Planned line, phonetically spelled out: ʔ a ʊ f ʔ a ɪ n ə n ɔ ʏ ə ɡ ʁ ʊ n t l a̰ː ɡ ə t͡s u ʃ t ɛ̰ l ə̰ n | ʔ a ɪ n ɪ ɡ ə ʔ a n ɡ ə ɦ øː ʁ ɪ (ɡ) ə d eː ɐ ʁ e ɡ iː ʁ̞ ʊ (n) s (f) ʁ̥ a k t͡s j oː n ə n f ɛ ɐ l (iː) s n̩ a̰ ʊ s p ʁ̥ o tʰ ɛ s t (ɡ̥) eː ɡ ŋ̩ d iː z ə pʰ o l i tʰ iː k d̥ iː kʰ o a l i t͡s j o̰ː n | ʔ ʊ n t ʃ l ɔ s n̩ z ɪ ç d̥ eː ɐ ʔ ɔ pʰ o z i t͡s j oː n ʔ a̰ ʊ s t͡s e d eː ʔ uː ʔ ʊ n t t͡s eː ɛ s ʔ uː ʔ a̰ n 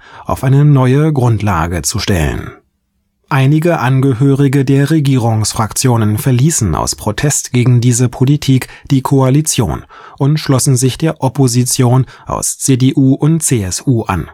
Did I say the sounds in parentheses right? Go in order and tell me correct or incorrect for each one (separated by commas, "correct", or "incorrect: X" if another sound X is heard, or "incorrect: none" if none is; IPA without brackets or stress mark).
correct, incorrect: ŋ, correct, correct, correct